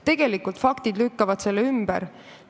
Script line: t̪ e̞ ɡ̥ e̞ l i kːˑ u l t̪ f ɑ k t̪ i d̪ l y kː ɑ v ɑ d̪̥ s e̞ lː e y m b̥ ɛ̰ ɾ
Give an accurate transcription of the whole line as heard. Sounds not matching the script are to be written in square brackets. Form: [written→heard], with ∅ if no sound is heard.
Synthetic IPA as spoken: t̪ e̞ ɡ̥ e̞ l i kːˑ u l t̪ f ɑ k t̪ i d̪ l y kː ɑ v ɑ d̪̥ s e̞ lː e y m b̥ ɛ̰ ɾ